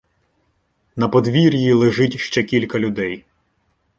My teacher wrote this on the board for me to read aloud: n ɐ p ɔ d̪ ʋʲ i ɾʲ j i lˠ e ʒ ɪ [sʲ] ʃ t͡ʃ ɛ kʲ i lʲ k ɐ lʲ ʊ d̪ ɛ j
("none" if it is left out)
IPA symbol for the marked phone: tʲ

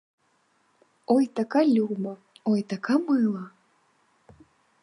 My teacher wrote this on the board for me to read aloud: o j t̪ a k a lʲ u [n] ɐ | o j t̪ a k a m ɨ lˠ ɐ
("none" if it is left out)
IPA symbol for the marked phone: m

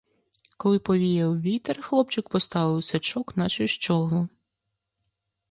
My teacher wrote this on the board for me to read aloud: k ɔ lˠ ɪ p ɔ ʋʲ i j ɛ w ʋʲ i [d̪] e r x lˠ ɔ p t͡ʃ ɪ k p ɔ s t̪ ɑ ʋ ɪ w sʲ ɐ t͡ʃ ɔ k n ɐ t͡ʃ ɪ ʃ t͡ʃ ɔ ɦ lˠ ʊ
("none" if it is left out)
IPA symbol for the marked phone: t̪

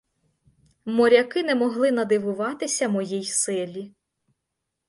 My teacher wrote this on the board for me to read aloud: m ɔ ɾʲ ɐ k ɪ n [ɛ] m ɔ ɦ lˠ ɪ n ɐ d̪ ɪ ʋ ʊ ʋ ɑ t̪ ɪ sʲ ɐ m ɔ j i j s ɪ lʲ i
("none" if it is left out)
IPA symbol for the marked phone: ɛ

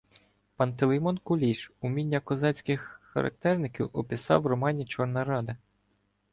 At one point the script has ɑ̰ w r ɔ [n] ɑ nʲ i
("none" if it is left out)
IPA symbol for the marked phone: m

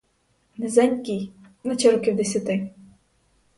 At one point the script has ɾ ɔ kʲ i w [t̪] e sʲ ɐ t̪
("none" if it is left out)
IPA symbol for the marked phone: d̪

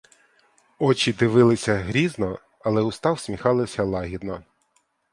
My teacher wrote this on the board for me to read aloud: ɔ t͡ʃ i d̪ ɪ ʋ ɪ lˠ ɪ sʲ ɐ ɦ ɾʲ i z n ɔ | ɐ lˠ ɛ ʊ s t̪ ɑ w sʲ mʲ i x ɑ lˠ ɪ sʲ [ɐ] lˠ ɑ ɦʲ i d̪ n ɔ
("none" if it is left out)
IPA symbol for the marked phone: ɐ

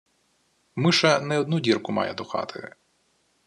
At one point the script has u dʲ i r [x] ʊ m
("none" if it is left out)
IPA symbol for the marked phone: k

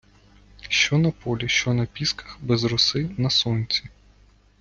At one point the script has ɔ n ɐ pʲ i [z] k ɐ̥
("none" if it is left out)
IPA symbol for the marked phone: s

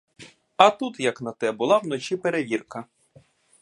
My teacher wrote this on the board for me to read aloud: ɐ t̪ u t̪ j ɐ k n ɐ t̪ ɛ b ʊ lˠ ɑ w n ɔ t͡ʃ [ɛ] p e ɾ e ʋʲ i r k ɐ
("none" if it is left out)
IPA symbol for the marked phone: i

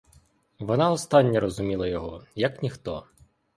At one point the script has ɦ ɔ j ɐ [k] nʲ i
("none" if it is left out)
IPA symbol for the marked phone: k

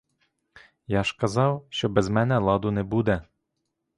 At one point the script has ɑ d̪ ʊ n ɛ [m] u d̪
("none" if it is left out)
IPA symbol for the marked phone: b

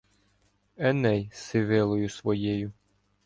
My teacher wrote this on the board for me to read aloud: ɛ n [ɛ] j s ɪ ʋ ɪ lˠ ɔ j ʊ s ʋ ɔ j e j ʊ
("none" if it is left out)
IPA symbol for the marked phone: ɛ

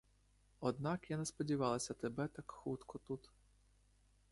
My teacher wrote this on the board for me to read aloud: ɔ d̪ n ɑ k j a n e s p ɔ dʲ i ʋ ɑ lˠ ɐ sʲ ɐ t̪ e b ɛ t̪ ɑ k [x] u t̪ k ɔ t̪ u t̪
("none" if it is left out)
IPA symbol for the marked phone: x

